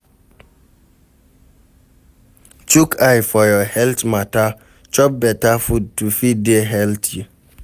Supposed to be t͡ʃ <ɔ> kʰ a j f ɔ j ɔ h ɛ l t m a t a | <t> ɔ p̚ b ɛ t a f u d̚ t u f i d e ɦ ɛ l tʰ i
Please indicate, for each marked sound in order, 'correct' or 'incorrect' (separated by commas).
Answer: incorrect, incorrect